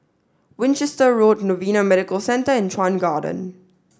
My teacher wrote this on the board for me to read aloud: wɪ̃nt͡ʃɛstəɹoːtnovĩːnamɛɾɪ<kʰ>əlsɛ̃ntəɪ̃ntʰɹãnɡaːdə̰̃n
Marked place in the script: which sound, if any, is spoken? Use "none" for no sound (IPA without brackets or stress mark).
k